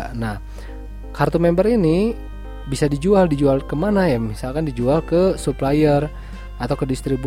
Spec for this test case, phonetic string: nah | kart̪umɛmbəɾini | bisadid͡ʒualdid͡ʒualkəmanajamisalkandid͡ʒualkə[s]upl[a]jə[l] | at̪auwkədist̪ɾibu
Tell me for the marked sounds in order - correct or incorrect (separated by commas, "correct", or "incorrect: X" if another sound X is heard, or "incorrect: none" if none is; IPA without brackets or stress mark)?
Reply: correct, correct, incorrect: r